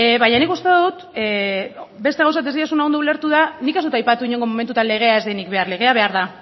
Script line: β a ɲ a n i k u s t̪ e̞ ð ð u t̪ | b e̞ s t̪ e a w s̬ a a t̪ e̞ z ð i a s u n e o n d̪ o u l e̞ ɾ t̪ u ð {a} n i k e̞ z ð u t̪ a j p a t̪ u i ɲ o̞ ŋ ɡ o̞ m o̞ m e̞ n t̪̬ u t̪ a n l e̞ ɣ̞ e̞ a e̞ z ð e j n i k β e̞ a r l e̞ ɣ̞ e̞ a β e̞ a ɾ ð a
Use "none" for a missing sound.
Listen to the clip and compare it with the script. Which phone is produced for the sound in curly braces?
a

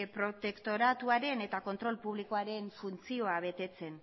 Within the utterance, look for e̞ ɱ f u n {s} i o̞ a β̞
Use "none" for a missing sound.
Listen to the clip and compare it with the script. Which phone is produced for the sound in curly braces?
t͡s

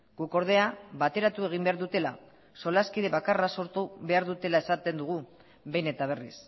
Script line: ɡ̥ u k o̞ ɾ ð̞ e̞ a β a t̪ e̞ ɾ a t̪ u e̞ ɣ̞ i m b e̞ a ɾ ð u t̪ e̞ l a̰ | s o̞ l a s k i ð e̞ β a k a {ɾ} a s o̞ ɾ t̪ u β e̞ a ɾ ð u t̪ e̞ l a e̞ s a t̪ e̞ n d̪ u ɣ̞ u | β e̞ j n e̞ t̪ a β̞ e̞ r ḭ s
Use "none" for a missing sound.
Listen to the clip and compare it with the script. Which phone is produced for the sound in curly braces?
r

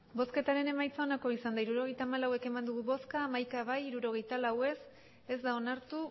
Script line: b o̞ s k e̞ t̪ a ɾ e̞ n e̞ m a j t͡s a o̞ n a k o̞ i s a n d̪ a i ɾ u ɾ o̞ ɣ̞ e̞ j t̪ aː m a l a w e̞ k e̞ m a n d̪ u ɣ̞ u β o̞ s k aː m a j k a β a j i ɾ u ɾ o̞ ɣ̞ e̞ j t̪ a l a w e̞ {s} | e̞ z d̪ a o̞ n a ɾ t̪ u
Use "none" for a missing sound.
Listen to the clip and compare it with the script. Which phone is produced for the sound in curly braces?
s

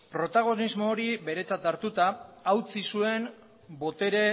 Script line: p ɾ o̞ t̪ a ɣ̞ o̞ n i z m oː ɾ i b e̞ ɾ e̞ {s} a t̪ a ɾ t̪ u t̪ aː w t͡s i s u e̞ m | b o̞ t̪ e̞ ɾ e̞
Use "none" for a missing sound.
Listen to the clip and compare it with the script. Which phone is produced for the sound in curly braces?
t͡s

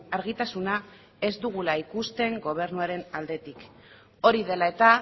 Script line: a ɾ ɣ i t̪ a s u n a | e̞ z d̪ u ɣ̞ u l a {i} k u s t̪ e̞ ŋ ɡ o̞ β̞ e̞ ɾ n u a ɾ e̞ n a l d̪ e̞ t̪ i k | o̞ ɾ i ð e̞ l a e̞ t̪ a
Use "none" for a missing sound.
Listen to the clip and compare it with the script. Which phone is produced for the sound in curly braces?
i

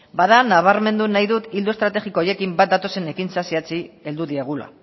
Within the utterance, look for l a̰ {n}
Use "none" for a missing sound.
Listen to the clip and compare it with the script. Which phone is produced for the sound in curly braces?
none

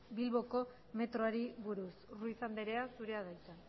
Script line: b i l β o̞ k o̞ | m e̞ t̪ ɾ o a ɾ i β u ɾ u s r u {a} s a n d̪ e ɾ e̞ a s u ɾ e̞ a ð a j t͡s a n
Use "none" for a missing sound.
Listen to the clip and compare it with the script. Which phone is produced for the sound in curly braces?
i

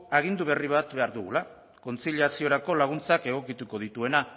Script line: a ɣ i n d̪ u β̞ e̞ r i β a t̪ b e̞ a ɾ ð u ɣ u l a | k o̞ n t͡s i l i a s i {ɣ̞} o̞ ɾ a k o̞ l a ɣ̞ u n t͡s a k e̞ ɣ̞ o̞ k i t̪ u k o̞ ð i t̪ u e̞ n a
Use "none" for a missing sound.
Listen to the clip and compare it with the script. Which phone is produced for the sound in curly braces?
none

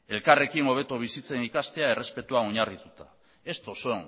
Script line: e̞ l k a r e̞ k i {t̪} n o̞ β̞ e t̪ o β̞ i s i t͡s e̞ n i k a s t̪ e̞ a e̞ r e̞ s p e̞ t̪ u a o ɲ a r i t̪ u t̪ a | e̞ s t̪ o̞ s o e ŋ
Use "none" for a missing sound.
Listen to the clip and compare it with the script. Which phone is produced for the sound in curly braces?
none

